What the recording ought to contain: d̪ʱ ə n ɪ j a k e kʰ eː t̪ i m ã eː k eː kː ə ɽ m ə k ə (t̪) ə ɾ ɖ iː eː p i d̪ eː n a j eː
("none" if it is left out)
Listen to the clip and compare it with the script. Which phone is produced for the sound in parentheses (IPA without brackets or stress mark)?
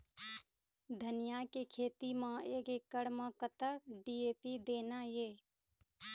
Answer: t̪